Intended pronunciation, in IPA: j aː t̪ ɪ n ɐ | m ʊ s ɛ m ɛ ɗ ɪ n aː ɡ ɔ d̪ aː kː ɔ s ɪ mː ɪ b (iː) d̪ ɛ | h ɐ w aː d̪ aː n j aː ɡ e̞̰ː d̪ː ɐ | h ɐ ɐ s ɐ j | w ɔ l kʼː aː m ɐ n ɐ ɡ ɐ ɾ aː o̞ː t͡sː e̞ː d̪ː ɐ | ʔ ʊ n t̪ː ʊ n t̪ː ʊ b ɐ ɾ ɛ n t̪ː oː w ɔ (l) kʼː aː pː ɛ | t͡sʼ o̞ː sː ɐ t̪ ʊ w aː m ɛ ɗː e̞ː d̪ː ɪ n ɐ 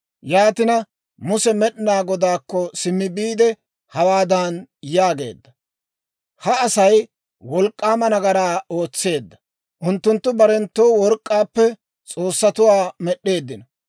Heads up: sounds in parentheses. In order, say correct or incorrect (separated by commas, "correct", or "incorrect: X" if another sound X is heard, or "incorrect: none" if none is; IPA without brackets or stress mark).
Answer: correct, incorrect: ɾ